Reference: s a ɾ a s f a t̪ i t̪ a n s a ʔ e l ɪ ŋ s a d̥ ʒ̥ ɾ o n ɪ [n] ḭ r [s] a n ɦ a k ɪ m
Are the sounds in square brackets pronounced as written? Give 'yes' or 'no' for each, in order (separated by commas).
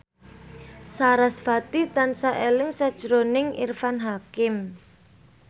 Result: no, no